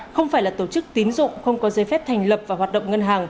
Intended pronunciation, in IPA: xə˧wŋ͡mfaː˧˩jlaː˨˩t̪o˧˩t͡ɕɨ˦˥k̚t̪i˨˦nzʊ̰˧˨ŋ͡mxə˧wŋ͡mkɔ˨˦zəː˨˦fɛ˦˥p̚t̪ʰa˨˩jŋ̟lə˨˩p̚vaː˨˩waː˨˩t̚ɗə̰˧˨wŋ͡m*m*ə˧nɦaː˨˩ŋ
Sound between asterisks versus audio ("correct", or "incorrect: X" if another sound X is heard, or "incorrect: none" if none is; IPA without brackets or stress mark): incorrect: ŋ